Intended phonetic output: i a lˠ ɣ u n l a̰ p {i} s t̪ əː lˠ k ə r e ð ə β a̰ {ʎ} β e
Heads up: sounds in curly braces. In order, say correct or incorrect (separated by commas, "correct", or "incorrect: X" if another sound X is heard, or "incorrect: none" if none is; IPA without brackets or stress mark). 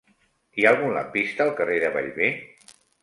correct, correct